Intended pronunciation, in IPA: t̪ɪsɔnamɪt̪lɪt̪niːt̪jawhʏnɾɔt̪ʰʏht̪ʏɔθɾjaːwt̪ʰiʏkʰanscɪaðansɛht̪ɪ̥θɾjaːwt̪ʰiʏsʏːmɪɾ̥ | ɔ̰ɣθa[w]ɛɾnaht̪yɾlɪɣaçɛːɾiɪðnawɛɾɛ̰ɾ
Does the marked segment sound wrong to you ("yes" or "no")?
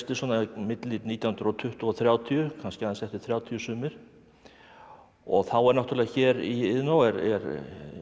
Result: no